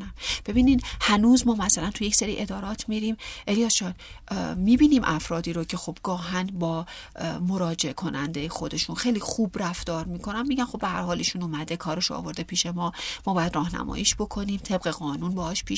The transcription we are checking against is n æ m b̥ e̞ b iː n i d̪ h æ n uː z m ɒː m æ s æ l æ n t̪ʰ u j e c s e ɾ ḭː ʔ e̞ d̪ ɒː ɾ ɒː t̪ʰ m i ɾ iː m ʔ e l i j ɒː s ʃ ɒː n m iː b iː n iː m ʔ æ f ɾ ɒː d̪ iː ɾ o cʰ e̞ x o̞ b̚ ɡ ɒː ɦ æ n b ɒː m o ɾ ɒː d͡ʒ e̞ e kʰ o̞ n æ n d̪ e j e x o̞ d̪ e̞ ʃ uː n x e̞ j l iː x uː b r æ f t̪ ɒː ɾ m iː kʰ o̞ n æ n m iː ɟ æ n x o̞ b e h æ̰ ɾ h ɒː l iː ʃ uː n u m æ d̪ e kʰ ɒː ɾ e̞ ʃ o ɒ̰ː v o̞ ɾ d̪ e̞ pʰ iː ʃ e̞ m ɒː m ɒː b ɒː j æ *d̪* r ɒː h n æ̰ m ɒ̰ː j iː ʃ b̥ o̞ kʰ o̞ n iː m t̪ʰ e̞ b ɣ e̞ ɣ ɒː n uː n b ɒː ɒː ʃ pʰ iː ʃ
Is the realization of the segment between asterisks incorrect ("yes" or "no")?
no